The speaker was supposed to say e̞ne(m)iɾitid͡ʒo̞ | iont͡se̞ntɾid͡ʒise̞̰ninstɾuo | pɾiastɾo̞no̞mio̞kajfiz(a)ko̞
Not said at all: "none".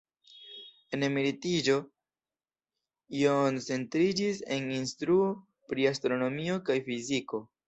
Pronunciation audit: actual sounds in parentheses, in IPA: m, i

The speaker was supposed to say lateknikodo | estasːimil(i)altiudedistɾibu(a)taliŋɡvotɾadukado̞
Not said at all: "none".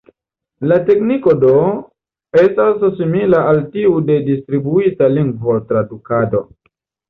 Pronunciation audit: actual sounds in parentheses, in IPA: a, i

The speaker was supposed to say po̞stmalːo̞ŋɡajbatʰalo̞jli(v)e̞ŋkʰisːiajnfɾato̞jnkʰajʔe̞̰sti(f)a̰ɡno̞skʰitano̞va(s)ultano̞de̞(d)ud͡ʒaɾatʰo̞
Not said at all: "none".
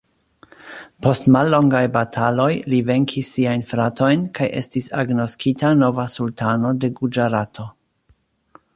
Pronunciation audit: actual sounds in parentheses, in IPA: v, s, s, ɡ

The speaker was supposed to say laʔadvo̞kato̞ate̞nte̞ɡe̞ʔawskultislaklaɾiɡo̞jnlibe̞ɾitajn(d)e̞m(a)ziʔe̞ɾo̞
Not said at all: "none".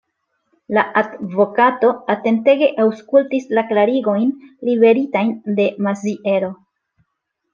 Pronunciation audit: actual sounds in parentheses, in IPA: d, a

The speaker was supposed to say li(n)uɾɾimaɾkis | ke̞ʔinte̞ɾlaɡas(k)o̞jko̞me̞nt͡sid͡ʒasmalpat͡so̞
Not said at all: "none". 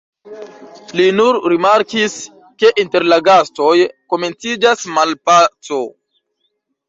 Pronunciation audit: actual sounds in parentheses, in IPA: n, t

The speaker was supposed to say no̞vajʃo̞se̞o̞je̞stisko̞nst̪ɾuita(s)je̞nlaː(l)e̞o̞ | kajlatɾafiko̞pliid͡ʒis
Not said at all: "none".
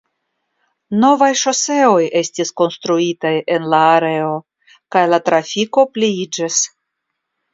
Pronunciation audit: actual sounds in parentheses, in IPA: none, ɾ

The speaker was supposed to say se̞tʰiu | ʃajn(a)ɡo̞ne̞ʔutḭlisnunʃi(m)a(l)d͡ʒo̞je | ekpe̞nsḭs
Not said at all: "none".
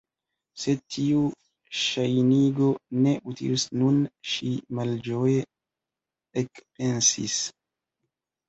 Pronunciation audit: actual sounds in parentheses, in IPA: i, m, l

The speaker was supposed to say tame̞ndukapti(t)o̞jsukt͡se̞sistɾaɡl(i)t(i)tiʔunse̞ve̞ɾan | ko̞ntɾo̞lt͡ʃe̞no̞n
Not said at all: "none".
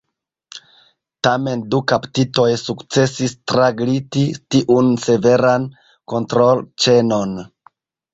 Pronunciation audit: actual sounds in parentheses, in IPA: t, i, i

